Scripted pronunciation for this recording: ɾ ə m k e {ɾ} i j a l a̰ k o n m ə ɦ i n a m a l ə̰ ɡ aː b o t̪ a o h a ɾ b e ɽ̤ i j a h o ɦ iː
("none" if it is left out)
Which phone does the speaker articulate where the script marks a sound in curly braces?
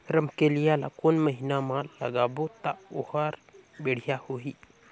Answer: l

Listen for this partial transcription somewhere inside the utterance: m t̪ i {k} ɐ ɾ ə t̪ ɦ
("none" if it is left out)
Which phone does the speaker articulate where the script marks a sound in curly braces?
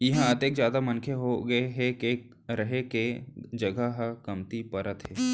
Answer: p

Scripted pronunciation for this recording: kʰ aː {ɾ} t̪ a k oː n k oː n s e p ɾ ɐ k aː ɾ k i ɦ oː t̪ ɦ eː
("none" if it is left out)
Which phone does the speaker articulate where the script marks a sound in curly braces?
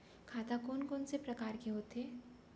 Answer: none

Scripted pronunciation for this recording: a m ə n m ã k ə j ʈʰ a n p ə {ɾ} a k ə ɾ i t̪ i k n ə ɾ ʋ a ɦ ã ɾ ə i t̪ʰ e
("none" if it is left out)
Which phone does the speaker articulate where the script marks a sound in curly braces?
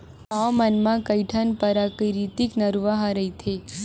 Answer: ɾ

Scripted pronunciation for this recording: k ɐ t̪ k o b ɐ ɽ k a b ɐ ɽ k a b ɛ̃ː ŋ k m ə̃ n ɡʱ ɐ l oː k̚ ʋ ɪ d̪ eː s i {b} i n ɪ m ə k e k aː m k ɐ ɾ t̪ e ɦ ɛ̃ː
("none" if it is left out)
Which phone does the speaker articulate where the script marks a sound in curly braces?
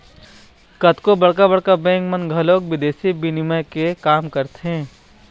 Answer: b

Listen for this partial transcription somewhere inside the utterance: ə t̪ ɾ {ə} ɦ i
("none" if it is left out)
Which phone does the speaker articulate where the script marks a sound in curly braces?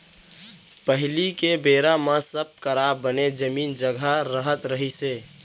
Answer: ə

